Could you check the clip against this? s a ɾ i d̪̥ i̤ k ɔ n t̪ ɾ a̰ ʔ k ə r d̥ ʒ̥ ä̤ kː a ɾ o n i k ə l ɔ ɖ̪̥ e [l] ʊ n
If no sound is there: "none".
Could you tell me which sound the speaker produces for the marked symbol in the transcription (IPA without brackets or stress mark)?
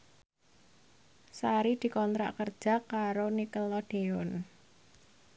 none